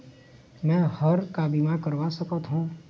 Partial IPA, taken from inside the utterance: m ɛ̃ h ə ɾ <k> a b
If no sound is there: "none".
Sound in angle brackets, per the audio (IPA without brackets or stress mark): k